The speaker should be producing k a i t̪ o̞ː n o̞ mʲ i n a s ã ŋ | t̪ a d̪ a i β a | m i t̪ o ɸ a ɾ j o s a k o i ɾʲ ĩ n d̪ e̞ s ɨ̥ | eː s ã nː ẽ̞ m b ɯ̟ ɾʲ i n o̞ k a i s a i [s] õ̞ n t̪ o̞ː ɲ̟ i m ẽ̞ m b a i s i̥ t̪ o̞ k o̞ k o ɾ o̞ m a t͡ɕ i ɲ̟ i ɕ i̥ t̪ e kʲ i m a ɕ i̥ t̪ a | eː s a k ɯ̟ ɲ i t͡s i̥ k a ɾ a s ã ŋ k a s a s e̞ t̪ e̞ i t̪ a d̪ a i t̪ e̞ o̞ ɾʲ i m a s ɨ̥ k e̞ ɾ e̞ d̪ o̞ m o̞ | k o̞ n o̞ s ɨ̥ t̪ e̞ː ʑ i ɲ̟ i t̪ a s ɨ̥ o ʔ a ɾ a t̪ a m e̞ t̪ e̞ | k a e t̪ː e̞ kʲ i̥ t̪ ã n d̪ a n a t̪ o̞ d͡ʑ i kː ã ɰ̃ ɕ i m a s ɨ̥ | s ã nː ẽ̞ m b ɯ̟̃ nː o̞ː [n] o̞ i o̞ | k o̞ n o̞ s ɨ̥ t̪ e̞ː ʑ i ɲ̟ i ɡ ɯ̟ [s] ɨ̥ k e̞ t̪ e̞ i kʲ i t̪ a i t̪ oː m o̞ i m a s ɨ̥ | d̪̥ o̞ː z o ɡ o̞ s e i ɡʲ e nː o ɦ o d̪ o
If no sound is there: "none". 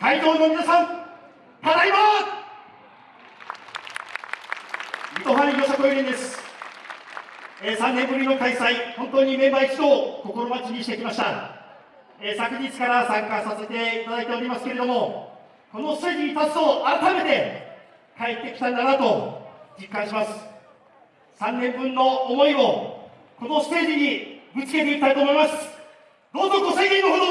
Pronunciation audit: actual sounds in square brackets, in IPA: h, m, t͡s

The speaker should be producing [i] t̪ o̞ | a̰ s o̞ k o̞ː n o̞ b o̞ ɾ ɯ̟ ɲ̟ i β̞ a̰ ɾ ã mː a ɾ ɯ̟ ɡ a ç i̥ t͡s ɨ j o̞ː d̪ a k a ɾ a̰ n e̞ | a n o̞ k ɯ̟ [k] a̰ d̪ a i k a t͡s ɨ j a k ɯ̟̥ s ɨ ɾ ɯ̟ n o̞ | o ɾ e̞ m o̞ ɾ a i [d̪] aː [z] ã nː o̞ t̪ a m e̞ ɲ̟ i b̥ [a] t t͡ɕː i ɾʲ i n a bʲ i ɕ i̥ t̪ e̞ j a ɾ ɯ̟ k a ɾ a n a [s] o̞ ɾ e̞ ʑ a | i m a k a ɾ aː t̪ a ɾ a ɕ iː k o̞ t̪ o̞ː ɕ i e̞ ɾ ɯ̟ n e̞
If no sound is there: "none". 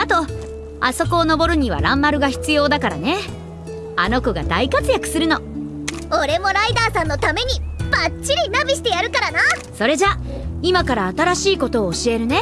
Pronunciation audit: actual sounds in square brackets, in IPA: a, ɡ, d̪, s, a, s

